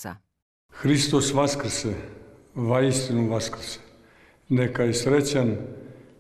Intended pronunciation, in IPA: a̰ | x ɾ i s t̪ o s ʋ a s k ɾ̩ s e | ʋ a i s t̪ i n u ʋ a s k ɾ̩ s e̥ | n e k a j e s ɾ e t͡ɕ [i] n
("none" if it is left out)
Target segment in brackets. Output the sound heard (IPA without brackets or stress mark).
a